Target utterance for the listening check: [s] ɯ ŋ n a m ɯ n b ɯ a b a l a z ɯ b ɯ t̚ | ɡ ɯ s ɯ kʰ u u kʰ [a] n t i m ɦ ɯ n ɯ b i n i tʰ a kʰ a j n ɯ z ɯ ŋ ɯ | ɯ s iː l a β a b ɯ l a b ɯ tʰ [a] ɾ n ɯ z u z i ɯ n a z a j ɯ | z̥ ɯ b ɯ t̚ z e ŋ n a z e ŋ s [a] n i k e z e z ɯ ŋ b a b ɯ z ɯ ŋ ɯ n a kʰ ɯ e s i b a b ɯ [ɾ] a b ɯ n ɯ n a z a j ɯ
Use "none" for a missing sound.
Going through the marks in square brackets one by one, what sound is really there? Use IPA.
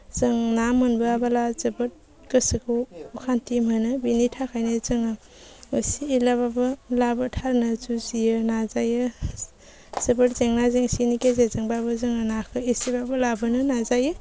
z, a, a, i, l

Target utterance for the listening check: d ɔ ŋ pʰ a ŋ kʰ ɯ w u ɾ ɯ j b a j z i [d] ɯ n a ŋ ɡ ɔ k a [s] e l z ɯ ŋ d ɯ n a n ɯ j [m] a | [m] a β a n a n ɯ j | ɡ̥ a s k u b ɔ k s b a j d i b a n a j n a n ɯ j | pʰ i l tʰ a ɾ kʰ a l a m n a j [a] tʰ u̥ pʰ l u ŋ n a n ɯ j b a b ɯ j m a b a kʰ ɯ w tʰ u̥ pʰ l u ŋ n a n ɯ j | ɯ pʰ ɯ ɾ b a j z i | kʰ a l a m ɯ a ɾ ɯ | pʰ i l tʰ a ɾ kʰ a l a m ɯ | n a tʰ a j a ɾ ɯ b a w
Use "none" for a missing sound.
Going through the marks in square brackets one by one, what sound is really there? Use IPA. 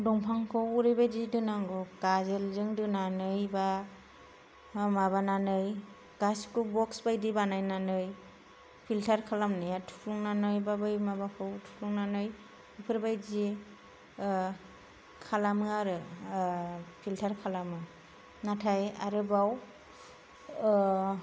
d, z, b, m, a

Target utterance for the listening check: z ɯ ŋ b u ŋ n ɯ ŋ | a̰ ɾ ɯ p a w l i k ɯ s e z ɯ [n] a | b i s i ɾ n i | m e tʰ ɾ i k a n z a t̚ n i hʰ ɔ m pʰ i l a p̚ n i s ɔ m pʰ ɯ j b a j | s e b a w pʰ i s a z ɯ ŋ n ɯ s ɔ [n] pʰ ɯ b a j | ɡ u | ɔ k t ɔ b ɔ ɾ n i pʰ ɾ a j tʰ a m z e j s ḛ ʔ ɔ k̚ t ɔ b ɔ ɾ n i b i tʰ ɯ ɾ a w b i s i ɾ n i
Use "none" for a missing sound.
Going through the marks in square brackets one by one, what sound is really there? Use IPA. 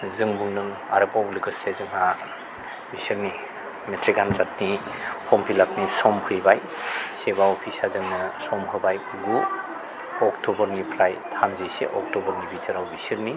ŋ, m

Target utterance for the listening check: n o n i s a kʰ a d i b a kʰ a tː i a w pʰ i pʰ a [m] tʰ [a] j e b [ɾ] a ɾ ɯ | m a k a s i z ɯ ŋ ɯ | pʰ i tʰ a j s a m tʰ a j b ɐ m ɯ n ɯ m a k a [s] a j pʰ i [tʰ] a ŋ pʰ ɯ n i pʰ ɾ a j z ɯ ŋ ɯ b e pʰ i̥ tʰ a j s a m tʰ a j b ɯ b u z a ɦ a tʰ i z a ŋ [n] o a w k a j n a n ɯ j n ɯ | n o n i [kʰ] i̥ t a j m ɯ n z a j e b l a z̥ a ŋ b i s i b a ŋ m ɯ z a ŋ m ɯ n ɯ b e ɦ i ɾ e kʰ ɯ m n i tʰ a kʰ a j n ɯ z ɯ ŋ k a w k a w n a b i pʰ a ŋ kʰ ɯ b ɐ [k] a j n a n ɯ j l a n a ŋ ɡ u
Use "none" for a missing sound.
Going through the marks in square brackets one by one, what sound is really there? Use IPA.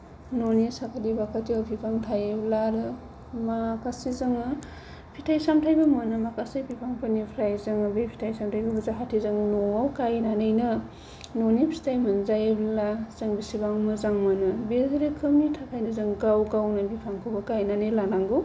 ŋ, a, l, s, pʰ, n, pʰ, k

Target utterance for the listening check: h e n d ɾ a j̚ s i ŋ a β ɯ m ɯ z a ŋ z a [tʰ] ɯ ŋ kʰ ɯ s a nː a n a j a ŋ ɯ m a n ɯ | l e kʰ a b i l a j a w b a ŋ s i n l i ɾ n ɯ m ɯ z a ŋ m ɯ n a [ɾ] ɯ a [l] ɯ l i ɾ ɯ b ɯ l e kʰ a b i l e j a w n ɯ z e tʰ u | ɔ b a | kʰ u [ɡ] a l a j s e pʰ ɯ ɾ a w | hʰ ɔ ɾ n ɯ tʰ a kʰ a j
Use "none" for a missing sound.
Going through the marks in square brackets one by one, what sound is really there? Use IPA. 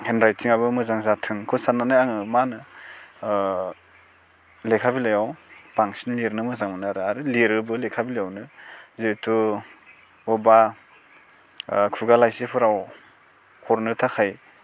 tʰ, ɾ, ɾ, ɡ

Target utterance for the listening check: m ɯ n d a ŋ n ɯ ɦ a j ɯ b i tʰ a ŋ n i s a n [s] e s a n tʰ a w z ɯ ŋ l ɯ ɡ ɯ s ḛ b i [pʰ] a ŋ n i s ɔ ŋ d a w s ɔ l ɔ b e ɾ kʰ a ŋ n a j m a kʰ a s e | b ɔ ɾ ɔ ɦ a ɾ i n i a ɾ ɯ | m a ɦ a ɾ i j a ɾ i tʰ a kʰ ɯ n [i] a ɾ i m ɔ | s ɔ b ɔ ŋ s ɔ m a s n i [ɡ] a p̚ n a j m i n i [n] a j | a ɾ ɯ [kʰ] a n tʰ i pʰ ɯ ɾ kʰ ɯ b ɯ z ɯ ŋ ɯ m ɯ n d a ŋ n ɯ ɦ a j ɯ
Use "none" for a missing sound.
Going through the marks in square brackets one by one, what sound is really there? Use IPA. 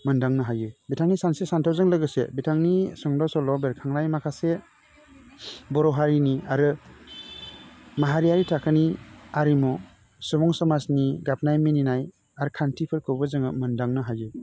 s, tʰ, i, ɡ, n, kʰ

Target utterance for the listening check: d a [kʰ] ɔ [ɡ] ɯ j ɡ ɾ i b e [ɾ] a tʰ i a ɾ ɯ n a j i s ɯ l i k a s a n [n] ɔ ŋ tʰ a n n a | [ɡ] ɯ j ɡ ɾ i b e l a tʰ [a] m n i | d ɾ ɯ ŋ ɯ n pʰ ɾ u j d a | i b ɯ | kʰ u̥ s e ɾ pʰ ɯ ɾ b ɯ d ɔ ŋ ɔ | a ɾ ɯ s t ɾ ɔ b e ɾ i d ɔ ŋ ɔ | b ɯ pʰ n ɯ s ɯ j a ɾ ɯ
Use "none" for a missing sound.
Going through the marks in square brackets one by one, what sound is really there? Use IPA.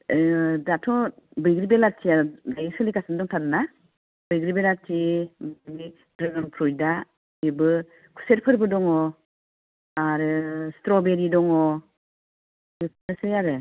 tʰ, b, l, d, b, i

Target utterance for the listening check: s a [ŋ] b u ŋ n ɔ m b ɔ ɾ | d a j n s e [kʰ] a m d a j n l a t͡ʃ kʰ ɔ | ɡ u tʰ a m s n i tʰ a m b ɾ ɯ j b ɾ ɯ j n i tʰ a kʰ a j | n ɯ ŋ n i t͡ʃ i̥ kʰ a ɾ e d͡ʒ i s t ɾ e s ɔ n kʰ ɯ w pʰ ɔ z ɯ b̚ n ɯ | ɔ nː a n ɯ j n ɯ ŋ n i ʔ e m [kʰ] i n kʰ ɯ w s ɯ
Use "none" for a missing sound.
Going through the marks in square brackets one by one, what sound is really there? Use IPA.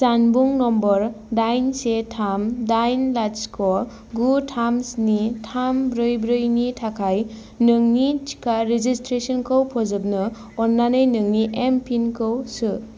n, tʰ, pʰ

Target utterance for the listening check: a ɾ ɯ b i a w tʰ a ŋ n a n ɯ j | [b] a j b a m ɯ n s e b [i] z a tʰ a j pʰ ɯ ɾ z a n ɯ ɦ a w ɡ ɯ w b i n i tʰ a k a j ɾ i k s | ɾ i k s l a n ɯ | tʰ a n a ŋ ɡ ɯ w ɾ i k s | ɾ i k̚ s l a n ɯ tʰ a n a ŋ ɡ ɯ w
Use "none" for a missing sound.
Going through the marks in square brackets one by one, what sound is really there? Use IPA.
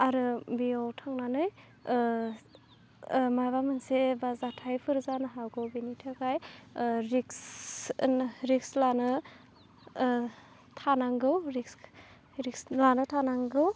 m, a

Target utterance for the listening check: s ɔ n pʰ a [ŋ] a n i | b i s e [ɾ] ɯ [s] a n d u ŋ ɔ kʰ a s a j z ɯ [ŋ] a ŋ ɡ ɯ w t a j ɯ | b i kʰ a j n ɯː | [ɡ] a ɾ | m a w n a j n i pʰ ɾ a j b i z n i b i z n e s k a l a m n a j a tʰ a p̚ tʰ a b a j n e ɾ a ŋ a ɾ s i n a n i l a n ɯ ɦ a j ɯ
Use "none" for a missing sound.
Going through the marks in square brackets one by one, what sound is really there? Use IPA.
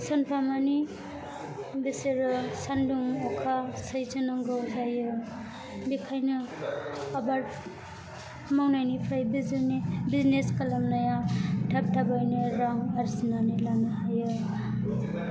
m, ɾ, s, n, b

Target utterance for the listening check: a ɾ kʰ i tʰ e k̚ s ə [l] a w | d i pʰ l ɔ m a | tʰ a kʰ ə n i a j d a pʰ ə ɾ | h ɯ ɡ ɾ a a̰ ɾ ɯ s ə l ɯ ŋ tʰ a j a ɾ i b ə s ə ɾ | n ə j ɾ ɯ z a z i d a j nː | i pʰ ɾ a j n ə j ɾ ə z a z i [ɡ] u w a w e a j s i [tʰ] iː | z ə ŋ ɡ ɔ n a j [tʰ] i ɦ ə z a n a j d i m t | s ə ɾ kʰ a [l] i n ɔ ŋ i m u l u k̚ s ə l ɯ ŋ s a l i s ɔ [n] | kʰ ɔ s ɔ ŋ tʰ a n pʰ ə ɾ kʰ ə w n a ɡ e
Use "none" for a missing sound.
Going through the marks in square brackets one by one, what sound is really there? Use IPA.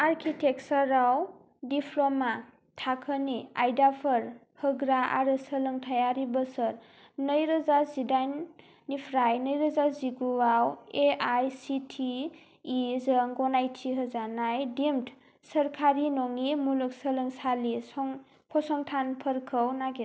ɾ, ɡ, tʰ, tʰ, ɾ, ŋ

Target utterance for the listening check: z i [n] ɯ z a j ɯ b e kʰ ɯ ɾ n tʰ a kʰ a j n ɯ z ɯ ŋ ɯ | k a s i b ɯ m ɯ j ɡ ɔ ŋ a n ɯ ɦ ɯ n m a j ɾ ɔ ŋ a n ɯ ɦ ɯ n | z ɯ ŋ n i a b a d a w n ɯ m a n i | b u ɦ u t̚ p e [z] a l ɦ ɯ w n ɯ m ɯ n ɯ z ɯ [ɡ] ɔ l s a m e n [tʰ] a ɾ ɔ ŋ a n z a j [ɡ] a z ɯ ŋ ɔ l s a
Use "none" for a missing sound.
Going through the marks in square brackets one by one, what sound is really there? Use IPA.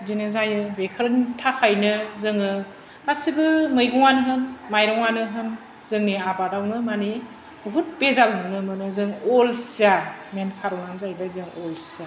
n, z, ŋ, kʰ, b

